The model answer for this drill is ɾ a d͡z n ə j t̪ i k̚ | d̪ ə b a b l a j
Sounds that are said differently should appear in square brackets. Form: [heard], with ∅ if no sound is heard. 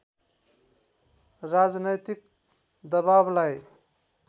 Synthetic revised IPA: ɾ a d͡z n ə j t̪ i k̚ | d̪ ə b a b l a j